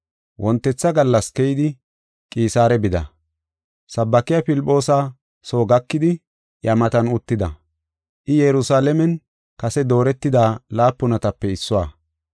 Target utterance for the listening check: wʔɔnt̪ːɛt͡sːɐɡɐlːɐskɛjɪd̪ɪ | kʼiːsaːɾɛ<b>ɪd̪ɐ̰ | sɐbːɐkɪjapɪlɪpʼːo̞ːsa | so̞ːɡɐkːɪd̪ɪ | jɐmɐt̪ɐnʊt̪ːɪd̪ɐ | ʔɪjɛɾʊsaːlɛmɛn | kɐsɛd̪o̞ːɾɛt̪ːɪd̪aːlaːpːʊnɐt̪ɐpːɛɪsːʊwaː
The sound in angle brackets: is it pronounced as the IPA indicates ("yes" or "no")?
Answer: yes